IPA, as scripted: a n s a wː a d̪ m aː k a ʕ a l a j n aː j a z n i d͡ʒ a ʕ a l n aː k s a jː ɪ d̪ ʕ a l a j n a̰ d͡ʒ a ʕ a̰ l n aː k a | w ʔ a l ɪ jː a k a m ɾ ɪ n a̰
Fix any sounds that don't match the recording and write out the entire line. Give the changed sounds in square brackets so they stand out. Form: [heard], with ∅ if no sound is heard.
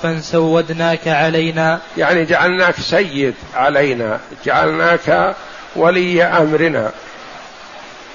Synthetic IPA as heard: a n s a wː a d̪ [n] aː k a ʕ a l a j n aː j a [ʕ] n i d͡ʒ a ʕ a l n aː k s a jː ɪ d̪ ʕ a l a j n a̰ d͡ʒ a ʕ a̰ l n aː k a | w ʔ a l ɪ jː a [ʔ] a m ɾ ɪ n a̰